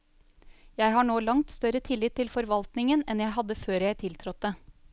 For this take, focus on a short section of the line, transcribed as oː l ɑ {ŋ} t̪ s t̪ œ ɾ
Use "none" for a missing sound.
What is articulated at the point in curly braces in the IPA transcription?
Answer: ŋ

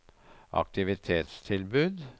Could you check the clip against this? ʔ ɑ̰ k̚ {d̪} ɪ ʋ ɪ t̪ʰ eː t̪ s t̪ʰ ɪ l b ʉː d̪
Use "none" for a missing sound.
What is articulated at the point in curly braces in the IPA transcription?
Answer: t̪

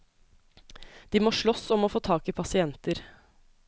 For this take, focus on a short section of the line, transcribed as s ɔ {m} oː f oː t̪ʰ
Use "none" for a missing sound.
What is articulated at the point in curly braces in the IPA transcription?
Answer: m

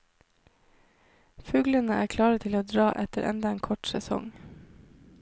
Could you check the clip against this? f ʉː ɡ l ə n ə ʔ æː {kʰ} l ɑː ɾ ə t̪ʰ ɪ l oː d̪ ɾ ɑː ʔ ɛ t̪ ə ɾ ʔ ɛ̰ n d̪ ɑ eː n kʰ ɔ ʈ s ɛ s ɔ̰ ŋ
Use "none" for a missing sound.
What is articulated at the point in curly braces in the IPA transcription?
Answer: kʰ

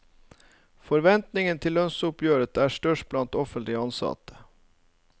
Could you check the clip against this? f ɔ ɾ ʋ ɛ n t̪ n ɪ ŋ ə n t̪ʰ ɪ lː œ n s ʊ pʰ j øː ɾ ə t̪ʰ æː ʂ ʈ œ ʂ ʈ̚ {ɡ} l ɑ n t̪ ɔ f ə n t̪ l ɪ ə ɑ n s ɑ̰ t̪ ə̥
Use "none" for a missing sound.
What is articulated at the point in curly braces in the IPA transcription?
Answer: b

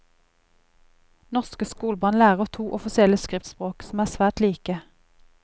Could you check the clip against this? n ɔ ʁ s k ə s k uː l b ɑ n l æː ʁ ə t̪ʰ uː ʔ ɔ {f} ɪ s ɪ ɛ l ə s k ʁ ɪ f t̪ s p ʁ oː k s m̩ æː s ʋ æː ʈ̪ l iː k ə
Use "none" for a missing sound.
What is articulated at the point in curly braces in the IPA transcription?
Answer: f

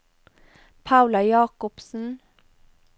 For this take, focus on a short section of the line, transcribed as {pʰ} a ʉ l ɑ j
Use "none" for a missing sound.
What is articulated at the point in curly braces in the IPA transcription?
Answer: pʰ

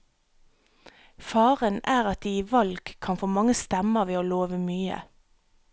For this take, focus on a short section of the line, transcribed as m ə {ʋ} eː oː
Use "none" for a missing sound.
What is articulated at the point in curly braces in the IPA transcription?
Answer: ʋ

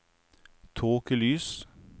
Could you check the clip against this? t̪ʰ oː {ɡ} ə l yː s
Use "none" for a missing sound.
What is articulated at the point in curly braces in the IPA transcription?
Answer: k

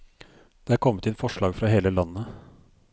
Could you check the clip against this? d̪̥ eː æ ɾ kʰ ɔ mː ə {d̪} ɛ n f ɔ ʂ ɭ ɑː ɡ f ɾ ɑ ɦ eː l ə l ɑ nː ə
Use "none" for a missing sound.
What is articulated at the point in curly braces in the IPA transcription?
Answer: t̪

